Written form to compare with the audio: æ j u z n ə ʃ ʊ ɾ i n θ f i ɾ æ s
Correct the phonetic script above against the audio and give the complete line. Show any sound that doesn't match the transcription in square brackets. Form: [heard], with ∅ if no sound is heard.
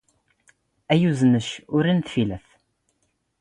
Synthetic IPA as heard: æ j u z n ə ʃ ʊ ɾ i n θ f i [l] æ [θ]